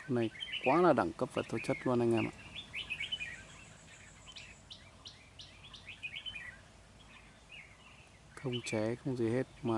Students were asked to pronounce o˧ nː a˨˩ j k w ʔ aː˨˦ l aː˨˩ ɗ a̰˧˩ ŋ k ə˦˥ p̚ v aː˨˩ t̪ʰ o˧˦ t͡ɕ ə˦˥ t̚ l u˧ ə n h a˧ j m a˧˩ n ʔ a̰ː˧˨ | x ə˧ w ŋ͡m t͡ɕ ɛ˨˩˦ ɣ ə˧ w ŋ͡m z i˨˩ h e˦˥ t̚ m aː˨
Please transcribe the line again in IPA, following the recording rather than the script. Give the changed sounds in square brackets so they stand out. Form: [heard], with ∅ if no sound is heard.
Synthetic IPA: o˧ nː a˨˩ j k w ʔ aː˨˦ l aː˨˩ ɗ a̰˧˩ ŋ k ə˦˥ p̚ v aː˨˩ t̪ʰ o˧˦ t͡ɕ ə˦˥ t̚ l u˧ ə n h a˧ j [ŋ] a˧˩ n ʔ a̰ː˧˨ | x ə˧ w ŋ͡m t͡ɕ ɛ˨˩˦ [x] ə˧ w ŋ͡m z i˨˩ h e˦˥ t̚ m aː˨